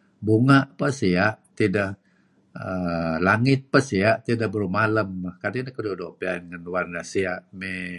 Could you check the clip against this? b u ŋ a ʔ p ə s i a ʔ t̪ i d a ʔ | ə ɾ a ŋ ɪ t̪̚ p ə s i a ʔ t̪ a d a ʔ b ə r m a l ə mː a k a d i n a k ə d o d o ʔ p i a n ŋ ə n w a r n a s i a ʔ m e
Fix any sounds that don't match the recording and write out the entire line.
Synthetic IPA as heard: b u ŋ a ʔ p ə s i a ʔ t̪ i d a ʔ | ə l a ŋ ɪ t̪̚ p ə s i a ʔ t̪ i d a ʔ b ə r m a l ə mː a k a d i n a k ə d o d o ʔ p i a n ŋ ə n w a r n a s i a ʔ m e